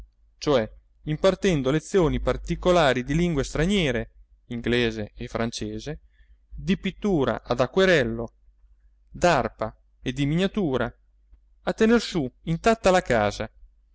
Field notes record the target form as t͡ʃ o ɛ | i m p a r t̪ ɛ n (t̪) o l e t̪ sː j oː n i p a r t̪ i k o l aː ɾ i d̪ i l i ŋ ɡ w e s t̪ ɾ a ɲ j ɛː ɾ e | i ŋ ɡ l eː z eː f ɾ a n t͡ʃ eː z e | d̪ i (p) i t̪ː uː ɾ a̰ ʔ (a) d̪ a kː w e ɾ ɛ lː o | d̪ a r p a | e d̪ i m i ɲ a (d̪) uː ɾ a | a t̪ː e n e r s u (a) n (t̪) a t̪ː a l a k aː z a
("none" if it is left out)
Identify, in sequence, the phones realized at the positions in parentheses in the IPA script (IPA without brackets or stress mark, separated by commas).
d̪, p, a, t̪, i, t̪